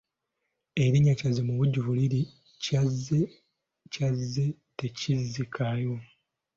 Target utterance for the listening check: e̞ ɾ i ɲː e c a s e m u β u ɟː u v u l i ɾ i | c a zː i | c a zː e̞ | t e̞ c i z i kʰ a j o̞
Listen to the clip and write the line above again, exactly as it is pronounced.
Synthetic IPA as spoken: e̞ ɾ i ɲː a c a z e m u β u ɟː u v u l i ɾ i | c a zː e | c a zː e̞ | t e̞ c i z i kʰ a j o̞